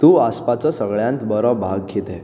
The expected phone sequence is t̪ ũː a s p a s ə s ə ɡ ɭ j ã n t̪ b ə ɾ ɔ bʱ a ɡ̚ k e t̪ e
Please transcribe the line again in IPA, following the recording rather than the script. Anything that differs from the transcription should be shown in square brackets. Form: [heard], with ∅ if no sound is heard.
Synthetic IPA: t̪ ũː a s p a [t͡s] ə s ə ɡ ɭ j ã n t̪ b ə ɾ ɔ bʱ a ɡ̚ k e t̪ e